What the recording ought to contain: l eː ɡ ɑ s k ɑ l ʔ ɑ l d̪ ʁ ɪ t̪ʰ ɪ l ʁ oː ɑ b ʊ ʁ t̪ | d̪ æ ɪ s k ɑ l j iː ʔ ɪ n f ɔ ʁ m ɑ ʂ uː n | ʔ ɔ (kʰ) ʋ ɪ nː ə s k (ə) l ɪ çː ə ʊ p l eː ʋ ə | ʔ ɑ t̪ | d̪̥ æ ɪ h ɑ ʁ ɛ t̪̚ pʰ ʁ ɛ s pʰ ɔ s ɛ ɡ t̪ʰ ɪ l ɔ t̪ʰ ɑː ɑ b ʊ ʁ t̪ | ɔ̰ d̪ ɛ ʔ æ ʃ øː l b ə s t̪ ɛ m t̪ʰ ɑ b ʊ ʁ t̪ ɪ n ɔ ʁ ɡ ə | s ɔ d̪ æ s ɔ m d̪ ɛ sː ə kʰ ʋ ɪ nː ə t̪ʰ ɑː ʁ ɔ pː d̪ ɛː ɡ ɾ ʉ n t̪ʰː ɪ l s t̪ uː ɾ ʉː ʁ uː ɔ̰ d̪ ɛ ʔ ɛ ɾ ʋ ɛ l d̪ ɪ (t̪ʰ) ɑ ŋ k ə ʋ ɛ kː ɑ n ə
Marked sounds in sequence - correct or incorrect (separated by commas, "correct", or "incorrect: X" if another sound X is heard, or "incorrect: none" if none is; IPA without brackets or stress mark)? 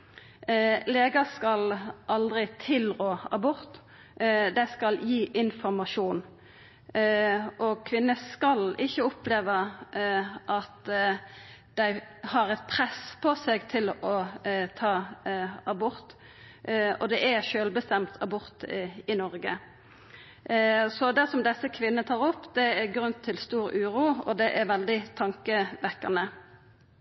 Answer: correct, incorrect: ɑ, correct